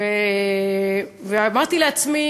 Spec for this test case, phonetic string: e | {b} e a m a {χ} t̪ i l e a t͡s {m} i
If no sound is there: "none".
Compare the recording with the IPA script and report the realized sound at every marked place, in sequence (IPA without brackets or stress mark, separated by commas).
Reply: v, ʁ, m